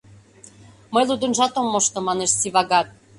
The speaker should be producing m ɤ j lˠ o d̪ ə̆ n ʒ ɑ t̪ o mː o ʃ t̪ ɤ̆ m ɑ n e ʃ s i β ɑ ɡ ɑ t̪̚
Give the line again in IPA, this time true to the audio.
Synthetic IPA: m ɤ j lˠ u d̪ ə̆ n ʒ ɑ t̪ o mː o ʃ t̪ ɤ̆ m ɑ n e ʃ s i β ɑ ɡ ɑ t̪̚